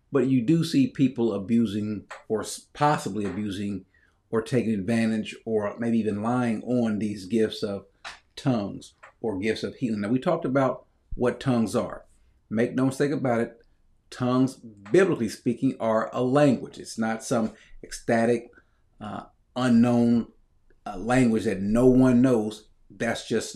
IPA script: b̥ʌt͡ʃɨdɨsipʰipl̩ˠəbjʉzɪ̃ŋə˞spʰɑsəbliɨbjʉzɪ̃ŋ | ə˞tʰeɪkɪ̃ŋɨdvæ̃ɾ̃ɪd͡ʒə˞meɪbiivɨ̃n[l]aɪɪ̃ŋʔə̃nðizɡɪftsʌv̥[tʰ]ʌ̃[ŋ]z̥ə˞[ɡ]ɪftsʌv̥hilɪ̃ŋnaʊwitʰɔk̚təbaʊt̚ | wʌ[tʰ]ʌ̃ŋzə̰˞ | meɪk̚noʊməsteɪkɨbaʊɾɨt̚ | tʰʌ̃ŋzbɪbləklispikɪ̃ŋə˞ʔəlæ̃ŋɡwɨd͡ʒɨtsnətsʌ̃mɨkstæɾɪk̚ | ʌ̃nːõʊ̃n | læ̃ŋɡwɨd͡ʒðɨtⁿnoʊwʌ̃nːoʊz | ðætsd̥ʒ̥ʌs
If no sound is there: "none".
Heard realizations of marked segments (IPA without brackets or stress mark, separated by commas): l, tʰ, ŋ, ɡ, tʰ